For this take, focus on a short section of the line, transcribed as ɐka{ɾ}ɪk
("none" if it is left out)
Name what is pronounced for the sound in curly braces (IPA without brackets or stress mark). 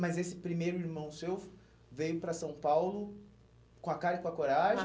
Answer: ɾ